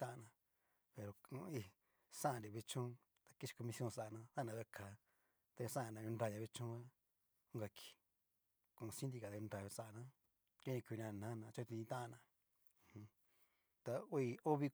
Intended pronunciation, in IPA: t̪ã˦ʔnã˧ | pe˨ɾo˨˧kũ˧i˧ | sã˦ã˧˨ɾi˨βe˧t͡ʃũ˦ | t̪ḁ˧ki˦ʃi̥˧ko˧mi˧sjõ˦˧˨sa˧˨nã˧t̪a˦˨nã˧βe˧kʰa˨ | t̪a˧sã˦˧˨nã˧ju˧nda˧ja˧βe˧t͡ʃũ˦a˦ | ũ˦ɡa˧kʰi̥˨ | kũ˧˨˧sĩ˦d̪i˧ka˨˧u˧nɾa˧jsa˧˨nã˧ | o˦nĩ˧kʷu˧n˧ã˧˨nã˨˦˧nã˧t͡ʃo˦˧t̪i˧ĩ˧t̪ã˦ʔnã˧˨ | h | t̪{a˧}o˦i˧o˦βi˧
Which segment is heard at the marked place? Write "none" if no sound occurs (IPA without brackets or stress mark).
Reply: a˧